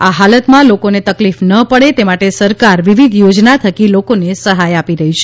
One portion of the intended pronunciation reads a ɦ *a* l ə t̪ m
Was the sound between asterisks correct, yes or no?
yes